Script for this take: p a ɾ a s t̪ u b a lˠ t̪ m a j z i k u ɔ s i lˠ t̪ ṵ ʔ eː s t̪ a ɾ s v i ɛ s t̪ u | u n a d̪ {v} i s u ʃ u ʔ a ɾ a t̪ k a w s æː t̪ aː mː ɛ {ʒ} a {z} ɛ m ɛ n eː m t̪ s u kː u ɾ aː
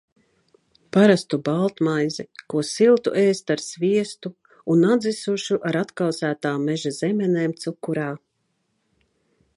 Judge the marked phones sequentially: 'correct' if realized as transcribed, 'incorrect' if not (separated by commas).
incorrect, correct, correct